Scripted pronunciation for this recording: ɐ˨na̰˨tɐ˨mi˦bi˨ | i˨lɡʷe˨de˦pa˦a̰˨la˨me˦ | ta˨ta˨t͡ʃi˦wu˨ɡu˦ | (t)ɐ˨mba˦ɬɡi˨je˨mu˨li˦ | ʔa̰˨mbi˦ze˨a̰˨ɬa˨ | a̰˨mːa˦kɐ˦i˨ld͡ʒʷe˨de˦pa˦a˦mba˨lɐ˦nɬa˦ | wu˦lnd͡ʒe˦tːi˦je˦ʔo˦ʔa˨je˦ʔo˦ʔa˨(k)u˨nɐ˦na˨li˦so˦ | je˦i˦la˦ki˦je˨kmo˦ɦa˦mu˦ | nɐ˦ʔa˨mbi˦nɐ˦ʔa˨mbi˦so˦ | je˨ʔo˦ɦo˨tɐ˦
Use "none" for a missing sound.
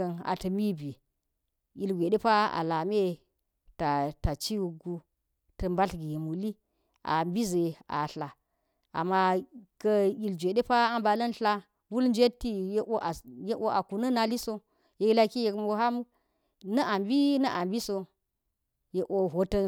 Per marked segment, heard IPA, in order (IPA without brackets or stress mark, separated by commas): t, k